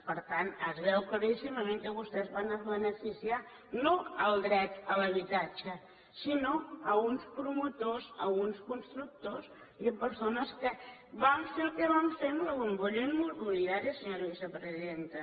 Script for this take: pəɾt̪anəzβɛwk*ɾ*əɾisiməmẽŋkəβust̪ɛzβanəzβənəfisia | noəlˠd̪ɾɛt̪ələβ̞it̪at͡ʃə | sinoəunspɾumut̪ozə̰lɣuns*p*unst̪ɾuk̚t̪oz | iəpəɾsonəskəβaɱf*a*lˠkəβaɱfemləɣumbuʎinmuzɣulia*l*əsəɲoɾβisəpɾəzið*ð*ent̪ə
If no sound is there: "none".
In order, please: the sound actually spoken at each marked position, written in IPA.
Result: l, k, e, ɾ, ð

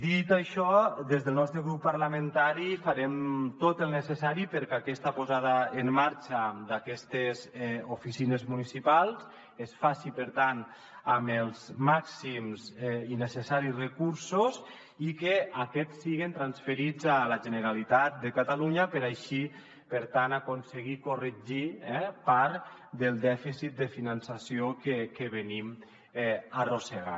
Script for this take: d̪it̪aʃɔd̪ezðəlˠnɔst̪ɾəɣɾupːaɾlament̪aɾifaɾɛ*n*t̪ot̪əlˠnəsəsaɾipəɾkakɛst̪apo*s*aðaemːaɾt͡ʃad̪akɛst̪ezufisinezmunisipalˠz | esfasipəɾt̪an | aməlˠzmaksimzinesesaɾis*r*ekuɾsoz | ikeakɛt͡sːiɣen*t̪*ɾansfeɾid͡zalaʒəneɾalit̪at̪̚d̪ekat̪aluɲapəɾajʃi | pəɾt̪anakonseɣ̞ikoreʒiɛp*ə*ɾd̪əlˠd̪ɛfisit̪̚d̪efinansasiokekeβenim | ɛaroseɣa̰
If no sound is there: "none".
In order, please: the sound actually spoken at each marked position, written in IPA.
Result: m, z, r, t̪, a

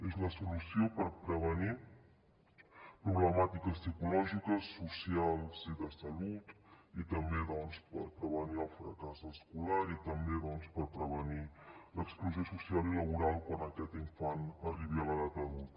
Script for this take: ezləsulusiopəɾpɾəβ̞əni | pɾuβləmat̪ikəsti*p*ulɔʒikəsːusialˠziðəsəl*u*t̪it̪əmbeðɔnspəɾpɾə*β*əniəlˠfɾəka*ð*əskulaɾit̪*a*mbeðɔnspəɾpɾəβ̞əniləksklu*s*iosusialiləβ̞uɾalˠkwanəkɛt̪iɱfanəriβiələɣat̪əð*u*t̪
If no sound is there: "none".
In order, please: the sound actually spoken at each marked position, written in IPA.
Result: k, u, β, z, ə, z, u

